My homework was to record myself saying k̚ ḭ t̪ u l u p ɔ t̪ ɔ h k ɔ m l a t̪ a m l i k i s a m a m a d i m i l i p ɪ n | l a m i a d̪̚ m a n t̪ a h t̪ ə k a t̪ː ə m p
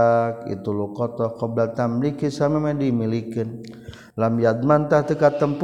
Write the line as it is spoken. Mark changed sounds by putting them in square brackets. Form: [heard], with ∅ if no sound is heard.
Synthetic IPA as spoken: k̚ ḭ t̪ u l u [k] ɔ t̪ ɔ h k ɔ [b] l a t̪ a m l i k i s a m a m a d i m i l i [k] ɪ n | l a m [j] a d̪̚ m a n t̪ a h t̪ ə k a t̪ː ə m p